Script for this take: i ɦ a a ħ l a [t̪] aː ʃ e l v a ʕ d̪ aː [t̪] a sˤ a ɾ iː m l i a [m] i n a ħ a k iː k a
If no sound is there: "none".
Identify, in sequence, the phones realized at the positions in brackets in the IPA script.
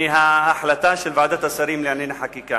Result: t̪, t̪, n

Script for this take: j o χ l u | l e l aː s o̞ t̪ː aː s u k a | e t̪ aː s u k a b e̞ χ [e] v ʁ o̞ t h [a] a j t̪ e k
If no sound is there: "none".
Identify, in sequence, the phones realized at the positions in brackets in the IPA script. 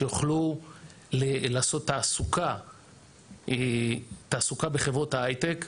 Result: e, a

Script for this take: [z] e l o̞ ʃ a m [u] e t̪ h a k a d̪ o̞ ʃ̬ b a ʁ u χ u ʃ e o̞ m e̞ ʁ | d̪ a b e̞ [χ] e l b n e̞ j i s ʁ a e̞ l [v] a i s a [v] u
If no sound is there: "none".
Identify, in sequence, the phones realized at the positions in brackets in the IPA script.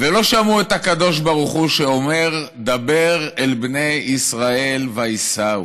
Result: v, u, ʁ, v, none

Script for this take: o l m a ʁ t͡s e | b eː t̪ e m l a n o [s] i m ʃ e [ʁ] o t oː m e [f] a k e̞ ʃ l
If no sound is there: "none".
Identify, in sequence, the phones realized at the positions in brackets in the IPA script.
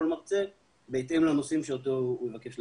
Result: s, none, v

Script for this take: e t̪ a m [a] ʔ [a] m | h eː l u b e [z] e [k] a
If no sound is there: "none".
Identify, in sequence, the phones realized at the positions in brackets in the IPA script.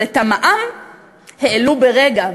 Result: a, a, ʁ, ɡ

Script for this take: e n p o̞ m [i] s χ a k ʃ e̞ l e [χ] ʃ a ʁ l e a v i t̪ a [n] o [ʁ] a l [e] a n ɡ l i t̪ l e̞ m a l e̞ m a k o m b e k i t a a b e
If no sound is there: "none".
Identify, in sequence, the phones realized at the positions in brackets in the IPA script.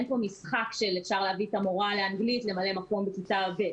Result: i, f, m, ʁ, e

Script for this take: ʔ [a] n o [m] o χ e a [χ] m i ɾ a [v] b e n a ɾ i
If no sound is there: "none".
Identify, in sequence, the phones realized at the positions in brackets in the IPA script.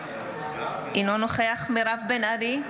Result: i, n, χ, v

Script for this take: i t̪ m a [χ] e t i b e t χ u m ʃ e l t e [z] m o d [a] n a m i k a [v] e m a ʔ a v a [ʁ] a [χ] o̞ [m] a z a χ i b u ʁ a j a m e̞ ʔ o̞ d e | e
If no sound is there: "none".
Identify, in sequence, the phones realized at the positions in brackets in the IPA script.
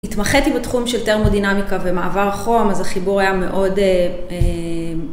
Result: χ, ʁ, i, v, ʁ, χ, m

